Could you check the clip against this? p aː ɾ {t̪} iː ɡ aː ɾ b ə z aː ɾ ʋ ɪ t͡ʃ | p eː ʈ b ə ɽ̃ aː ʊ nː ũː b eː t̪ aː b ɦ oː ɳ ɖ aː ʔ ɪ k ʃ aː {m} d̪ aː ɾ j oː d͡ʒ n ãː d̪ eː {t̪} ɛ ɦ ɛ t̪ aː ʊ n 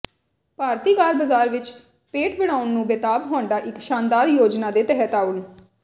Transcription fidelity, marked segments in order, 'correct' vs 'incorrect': correct, incorrect: n, correct

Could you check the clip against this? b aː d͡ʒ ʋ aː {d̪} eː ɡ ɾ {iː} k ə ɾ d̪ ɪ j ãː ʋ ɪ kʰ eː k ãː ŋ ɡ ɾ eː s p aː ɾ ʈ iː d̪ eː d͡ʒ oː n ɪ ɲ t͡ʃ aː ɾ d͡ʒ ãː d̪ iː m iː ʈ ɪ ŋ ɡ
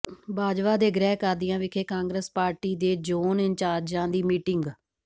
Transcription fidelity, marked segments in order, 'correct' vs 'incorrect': correct, incorrect: ɛː

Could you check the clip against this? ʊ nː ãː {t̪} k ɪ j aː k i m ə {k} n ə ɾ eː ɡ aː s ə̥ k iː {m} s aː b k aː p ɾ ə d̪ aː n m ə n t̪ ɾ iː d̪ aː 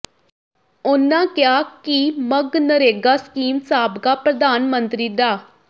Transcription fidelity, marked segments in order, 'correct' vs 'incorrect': incorrect: none, incorrect: ɡ, correct

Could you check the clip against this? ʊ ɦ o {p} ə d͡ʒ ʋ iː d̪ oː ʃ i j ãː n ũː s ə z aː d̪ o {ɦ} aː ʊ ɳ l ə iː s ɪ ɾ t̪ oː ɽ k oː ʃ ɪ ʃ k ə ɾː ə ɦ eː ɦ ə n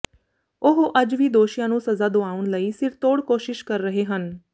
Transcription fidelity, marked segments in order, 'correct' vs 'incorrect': incorrect: ʔ, incorrect: none

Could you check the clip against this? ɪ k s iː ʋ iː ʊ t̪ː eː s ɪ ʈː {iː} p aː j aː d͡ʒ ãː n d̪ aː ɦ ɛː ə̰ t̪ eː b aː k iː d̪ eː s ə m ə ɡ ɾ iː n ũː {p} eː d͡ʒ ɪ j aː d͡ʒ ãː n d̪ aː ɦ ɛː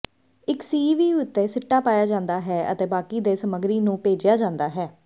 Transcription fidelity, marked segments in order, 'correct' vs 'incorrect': incorrect: aː, correct

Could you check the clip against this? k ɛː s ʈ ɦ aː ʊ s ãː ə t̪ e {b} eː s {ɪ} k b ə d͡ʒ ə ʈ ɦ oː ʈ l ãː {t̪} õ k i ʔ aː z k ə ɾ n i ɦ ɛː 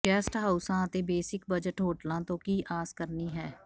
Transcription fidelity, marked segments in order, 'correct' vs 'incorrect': correct, correct, correct

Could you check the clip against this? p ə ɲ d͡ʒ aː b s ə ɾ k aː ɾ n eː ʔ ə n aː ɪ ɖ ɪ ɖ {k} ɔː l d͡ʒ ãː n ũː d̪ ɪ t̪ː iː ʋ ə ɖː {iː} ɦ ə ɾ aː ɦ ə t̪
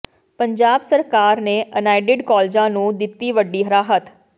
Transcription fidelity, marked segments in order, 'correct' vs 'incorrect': correct, correct

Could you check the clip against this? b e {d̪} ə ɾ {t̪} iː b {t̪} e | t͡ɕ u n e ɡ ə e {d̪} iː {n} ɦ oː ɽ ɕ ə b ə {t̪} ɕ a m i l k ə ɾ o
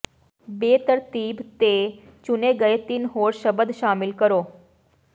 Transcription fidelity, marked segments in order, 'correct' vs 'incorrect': incorrect: t̪, correct, correct, incorrect: t̪, correct, incorrect: d̪

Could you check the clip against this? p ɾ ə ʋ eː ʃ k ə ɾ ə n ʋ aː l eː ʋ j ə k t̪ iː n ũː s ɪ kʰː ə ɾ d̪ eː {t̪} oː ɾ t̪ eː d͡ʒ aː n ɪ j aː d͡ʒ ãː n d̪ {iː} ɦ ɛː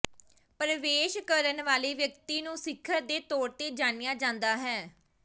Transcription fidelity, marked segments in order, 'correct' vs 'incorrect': correct, incorrect: aː

